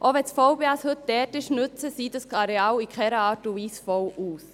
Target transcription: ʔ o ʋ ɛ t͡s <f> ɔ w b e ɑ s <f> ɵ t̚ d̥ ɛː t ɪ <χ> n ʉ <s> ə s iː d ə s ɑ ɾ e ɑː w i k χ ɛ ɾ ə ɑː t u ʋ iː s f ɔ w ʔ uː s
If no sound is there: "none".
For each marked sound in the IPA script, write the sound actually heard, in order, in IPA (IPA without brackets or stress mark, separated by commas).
f, h, ʃ, t͡s